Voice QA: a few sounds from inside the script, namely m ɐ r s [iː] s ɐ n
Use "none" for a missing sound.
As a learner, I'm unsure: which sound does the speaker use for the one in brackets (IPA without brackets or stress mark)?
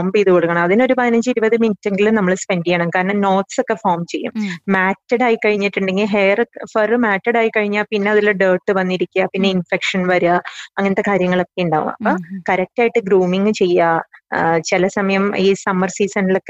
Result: iː